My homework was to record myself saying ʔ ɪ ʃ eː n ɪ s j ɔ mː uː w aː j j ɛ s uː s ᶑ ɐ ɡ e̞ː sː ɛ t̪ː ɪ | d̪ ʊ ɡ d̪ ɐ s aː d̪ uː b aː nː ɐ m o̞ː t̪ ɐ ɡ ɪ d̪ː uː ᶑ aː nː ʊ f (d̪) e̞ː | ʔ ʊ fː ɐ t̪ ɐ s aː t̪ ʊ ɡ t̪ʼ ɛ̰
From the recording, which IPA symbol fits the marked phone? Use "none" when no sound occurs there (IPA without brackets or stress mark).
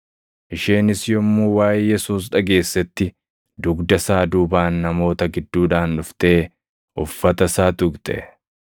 t̪